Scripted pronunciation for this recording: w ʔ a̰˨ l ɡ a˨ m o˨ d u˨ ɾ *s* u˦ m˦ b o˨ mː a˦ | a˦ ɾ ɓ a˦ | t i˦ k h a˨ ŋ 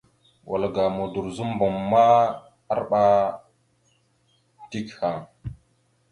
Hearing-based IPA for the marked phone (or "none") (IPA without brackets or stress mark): z